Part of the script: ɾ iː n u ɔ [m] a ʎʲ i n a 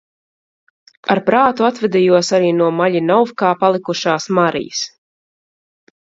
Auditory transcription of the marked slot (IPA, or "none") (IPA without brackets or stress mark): m